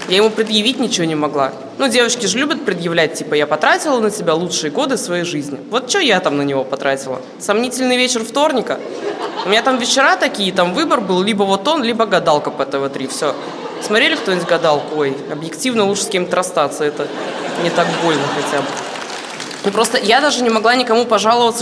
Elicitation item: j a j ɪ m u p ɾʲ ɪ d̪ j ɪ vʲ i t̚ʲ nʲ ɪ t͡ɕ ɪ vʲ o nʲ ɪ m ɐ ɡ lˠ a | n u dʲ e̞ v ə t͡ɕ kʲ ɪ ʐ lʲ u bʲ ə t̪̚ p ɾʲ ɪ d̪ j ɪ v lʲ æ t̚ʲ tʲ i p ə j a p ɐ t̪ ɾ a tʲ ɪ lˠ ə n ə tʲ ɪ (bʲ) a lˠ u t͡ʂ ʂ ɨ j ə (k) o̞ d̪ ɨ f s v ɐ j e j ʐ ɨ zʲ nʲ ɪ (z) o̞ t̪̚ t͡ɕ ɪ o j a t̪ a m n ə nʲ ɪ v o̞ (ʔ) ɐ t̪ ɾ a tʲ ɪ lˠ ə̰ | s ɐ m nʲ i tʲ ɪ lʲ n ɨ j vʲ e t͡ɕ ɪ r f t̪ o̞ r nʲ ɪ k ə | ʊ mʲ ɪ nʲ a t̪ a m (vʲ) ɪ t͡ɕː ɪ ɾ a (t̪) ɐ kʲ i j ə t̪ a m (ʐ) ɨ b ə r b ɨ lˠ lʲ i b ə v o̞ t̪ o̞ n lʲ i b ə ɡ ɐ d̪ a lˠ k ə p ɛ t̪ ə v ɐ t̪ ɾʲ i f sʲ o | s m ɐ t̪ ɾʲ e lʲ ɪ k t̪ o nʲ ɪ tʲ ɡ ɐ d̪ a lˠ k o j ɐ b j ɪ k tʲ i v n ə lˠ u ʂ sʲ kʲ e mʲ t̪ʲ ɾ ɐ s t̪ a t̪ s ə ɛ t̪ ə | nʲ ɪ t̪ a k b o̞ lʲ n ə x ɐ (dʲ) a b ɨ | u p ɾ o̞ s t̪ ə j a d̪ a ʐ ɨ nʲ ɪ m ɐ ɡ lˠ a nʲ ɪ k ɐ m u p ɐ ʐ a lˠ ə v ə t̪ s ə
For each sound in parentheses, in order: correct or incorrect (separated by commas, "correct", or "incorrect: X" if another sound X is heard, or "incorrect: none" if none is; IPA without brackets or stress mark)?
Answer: correct, incorrect: ɡ, incorrect: v, incorrect: p, correct, correct, incorrect: v, incorrect: tʲ